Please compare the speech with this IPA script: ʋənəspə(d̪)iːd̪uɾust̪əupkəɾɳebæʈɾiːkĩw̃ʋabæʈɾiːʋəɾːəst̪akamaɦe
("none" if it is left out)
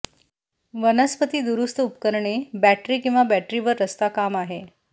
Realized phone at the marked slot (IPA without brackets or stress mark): t̪